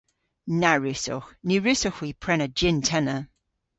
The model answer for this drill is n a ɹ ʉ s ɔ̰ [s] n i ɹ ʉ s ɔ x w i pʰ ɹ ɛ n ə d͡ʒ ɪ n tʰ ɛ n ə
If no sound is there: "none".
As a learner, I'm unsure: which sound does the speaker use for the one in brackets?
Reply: x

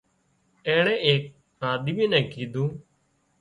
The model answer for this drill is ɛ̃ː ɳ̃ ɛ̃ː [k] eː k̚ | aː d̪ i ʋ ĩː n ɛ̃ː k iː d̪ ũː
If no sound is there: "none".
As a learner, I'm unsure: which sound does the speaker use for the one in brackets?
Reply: none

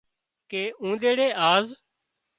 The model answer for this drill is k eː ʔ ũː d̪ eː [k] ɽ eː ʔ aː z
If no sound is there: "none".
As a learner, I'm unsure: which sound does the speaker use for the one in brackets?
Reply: none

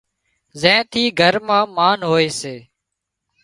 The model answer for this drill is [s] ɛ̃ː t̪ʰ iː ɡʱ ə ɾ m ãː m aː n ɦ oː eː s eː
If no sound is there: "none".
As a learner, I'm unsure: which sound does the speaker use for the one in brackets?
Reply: z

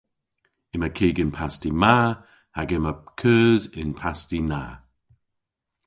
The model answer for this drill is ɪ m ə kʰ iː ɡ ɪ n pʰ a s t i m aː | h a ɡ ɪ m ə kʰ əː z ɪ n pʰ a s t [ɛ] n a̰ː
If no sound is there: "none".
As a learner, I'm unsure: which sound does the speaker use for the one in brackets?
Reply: i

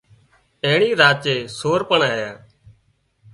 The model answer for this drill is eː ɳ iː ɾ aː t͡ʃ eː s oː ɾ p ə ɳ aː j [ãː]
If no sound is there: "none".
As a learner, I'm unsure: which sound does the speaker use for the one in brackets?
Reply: aː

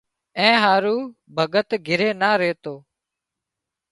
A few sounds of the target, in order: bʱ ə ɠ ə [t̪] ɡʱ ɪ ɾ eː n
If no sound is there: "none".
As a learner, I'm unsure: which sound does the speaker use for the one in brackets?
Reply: t̪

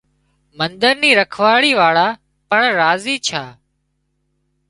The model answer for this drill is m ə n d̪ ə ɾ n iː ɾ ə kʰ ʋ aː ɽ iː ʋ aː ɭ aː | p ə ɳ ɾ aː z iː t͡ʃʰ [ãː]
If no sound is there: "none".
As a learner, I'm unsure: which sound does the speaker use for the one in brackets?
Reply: aː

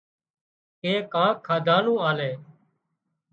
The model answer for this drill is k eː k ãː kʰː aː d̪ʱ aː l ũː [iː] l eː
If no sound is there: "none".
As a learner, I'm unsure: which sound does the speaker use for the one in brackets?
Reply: aː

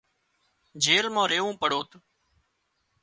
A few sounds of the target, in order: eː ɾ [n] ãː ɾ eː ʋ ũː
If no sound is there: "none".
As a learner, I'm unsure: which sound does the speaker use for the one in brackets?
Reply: m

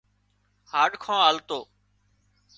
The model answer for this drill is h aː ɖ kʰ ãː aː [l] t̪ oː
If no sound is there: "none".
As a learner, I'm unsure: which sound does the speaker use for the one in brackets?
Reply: l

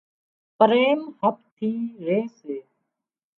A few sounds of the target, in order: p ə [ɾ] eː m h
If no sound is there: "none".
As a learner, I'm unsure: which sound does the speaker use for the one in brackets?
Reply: ɾ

